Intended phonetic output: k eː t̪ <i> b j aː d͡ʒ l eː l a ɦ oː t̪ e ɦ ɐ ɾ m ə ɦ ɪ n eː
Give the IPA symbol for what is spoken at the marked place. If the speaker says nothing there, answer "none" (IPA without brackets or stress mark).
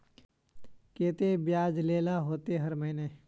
e